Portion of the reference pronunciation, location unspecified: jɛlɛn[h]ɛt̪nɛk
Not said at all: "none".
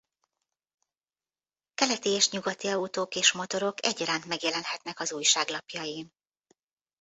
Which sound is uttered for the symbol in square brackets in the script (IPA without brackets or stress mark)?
h